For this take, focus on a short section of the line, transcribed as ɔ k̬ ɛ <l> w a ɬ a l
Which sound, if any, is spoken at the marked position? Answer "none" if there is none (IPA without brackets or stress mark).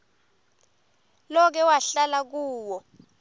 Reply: none